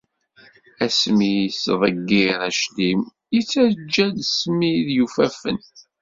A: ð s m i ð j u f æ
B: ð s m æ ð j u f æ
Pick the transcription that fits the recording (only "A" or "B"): A